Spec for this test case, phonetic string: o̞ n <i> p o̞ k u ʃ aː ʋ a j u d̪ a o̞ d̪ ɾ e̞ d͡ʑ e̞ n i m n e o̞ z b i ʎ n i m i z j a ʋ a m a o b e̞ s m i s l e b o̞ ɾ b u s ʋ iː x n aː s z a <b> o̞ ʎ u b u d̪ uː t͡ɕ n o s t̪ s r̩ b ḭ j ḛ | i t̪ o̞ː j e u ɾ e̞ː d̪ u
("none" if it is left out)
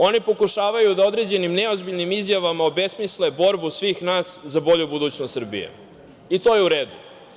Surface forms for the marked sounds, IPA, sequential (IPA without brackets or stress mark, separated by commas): i, b